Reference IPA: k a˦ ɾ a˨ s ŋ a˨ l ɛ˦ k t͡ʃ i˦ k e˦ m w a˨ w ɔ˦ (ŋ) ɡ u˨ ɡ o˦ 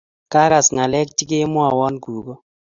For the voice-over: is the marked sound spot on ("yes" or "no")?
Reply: no